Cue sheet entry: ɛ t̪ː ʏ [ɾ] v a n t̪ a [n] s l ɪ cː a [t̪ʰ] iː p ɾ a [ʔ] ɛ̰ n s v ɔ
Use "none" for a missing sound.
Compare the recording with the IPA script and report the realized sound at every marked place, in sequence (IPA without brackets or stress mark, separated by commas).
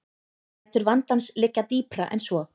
ɾ, n, t̪, ʔ